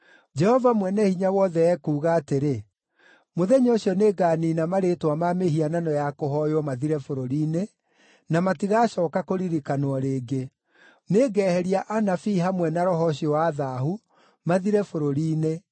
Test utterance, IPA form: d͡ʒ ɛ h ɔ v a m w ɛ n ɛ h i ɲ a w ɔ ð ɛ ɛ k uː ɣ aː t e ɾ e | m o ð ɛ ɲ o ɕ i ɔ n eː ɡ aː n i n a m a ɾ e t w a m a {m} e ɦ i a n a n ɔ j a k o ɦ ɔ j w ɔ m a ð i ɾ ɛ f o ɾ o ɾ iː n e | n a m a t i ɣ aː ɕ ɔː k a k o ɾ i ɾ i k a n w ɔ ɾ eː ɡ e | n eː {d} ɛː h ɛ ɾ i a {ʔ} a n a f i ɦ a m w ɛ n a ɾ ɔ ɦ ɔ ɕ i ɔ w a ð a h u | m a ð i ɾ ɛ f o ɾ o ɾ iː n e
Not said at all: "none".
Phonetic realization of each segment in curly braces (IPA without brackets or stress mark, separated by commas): m, ɡ, ʔ